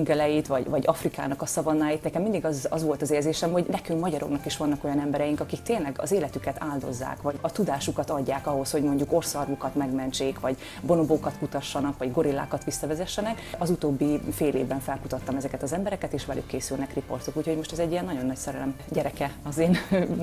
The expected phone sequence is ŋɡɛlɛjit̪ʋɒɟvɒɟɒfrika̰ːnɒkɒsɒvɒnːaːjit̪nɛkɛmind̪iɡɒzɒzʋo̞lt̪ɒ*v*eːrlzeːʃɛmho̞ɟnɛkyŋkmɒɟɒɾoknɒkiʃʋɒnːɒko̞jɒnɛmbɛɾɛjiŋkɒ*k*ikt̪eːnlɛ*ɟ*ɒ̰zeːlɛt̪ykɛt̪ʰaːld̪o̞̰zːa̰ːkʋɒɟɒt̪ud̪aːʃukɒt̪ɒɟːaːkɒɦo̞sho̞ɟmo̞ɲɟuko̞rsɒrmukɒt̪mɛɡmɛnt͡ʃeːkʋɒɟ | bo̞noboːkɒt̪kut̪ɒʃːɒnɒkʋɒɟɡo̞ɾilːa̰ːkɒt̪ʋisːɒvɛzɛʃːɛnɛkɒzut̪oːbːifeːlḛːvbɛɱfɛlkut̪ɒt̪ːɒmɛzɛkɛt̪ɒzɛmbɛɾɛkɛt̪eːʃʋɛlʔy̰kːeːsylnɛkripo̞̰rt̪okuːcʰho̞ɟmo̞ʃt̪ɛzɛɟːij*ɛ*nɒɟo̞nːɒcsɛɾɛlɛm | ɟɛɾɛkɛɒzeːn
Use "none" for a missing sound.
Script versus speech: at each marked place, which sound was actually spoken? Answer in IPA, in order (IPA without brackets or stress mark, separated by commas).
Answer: z, k, ɡ, ɛ